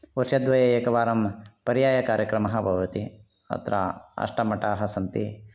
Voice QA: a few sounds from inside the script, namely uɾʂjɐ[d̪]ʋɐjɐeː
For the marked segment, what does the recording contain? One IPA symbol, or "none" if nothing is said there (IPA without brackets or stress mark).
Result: d̪